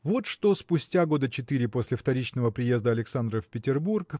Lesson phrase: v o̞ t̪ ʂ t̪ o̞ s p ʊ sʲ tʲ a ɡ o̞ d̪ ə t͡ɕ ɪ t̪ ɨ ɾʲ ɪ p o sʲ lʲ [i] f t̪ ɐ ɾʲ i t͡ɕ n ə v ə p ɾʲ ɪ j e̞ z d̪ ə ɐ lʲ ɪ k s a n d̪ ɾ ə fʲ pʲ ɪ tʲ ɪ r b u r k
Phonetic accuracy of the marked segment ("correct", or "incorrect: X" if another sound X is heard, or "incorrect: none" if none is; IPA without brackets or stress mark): incorrect: ɪ